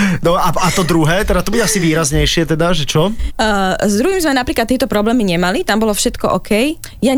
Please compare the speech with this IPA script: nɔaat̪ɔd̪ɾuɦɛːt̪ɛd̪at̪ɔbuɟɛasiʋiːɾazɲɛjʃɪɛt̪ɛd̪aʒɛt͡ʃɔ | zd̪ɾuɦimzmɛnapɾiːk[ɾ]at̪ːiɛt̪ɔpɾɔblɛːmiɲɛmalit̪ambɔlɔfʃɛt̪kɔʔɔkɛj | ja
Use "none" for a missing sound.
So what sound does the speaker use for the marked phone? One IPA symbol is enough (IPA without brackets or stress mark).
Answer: l